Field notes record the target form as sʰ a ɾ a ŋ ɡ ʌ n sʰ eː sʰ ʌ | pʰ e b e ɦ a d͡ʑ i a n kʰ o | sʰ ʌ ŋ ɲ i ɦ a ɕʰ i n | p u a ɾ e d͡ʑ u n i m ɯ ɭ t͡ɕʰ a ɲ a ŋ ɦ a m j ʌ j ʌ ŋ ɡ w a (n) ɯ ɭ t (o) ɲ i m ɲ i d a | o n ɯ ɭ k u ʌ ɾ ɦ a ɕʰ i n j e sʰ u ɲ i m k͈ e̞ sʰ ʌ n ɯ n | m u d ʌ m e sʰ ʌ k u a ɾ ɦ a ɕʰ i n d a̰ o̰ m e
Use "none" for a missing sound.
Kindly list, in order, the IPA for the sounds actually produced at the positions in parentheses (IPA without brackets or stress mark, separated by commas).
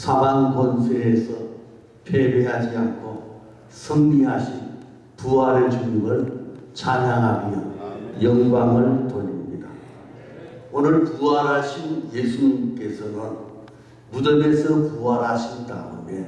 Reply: ŋ, o